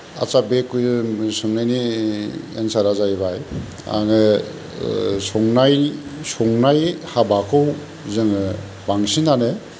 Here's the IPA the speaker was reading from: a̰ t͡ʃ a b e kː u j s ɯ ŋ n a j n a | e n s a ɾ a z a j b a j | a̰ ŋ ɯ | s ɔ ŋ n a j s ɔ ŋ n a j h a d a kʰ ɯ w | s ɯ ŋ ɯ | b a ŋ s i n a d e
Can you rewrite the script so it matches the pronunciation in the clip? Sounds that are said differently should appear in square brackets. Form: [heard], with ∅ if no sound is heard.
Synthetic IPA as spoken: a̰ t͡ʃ a b e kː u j s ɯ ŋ n a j n [i] | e n s a ɾ a z a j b a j | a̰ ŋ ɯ | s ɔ ŋ n a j s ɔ ŋ n a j h a [b] a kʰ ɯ w | [z] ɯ ŋ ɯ | b a ŋ s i n a [n] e